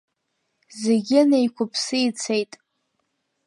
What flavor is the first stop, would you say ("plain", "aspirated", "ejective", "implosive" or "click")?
plain